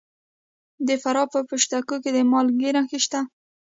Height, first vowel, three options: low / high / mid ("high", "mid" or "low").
mid